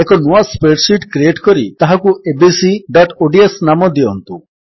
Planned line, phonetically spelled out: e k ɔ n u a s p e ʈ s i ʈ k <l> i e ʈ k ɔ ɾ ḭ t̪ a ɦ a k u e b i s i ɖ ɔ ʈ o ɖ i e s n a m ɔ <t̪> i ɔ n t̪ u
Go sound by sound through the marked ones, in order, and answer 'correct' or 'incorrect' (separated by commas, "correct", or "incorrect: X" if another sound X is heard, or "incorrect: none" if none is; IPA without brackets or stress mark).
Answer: incorrect: ɾ, incorrect: d̪